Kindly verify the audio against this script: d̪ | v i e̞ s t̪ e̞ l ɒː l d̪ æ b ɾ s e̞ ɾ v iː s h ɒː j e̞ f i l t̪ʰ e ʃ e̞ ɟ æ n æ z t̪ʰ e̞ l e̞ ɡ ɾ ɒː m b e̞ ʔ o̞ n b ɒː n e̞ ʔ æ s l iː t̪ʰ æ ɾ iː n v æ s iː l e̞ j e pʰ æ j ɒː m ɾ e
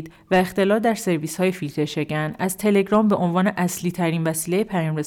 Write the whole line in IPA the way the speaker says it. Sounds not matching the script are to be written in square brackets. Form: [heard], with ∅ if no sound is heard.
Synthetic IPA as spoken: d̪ | v [æ] e̞ [x] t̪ e̞ l ɒː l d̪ æ [∅] ɾ s e̞ ɾ v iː s h ɒː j e̞ f i l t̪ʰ e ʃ e̞ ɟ æ n æ z t̪ʰ e̞ l e̞ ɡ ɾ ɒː m b e̞ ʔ o̞ n [v] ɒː n e̞ ʔ æ s l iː t̪ʰ æ ɾ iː n v æ s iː l e̞ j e pʰ æ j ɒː m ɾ e